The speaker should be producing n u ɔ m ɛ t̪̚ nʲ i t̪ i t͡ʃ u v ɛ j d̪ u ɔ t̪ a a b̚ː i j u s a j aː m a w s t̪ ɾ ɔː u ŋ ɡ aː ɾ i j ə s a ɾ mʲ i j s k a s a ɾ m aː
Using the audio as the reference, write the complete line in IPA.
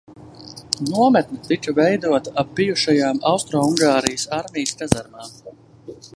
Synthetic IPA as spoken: n u ɔ m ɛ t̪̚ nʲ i t̪ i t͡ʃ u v ɛ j d̪ u ɔ t̪ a a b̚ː i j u ʃ a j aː m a w s t̪ ɾ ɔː u ŋ ɡ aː ɾ i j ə s a ɾ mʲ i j s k a z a ɾ m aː